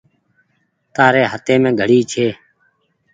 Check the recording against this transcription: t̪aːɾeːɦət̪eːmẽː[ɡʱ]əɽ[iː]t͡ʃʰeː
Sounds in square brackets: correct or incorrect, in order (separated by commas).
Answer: correct, correct